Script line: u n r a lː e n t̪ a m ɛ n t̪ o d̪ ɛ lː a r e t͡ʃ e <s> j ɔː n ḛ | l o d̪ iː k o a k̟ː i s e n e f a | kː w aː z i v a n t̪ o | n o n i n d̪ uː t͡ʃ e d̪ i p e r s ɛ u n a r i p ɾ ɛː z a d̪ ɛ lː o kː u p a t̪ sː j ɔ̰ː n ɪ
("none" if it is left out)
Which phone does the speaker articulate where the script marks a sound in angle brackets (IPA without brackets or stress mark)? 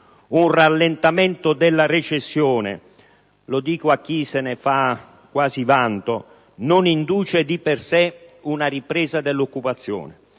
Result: sː